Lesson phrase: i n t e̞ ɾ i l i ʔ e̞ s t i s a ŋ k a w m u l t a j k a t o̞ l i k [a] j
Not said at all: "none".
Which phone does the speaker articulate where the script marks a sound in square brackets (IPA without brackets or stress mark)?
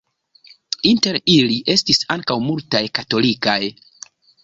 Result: a